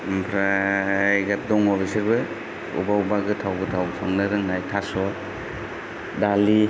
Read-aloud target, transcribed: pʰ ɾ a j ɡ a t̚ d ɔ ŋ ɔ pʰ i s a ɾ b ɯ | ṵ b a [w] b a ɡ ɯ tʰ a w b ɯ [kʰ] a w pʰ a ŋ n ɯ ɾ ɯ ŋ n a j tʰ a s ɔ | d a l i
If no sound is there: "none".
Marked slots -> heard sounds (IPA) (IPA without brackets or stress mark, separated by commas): u, tʰ